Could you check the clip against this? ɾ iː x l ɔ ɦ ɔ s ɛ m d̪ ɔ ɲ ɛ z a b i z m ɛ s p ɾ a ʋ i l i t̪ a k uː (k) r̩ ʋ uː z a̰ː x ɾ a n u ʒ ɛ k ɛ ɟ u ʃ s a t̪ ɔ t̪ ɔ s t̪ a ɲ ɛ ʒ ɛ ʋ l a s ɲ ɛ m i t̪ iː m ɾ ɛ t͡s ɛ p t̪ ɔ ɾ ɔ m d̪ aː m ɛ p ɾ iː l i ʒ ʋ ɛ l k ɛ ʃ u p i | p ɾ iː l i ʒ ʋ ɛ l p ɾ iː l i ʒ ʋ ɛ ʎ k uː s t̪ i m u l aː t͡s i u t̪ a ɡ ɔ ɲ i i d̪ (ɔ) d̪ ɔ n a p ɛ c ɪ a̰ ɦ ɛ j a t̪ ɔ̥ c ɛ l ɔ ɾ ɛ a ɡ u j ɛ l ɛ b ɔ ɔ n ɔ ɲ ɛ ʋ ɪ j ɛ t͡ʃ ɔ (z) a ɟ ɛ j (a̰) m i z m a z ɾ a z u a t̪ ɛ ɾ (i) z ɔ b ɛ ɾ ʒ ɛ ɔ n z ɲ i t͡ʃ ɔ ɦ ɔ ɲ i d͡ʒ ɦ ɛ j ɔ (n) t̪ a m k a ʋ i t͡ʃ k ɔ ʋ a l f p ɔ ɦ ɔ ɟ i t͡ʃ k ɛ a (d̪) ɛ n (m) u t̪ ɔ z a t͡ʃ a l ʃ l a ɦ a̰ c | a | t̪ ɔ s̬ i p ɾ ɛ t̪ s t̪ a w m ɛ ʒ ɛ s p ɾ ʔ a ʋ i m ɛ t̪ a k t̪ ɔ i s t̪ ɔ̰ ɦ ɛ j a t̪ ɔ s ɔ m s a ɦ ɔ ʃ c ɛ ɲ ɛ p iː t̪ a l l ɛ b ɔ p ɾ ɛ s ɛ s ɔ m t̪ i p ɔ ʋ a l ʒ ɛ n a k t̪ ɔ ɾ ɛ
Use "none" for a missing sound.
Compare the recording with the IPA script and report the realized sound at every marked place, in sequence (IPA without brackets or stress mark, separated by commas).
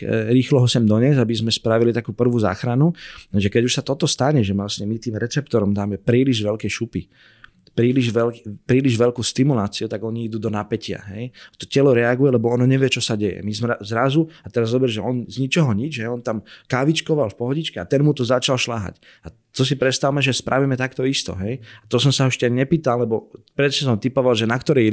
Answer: p, u, s, ɛ̰, a, n, t̪, m